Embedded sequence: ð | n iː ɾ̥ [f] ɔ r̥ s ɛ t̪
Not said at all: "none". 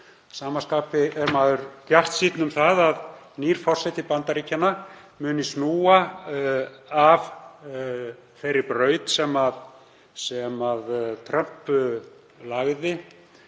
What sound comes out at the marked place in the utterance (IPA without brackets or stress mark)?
f